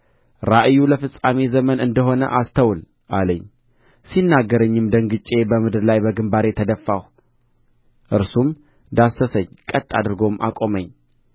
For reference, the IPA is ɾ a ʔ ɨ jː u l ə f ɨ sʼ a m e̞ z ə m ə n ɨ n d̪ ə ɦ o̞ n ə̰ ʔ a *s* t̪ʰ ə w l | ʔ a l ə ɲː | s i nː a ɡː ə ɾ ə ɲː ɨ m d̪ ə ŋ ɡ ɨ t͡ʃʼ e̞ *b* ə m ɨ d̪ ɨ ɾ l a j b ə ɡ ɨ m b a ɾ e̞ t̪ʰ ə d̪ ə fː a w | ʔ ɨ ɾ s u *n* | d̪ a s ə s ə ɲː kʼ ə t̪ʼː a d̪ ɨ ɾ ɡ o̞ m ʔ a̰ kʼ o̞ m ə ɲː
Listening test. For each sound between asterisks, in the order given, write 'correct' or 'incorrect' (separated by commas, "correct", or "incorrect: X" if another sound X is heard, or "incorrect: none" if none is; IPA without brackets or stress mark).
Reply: correct, correct, incorrect: m